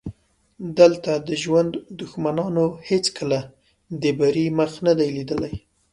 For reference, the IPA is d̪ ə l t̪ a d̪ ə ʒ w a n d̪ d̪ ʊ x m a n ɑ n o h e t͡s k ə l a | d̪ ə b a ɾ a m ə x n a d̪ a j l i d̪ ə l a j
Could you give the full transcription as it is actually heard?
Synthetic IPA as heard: d̪ ə l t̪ a d̪ ə ʒ w a n d̪ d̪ ʊ x m a n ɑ n o h e t͡s k ə l a | d̪ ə b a ɾ i m ə x n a d̪ a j l i d̪ ə l a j